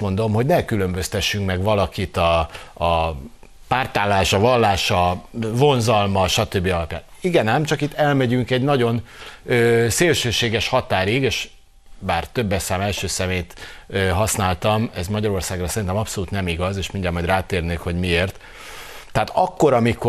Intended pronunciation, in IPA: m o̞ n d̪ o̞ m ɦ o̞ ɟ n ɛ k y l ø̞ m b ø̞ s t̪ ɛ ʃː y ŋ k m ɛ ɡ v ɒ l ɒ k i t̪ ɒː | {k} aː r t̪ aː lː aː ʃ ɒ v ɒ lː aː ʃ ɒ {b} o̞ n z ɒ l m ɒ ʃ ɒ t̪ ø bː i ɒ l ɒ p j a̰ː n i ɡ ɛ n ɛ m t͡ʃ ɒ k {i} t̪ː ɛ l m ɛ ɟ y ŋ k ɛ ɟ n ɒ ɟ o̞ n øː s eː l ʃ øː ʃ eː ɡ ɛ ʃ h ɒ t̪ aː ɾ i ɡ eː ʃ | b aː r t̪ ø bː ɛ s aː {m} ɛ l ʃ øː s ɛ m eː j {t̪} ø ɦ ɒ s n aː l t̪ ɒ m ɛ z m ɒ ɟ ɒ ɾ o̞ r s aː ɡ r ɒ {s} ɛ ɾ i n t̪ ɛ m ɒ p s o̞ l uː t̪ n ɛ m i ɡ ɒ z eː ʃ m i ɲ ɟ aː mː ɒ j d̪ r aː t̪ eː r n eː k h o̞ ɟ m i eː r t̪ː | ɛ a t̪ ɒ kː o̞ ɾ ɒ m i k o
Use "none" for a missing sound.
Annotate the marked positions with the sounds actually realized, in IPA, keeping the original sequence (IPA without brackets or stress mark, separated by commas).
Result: p, v, i, m, t̪, s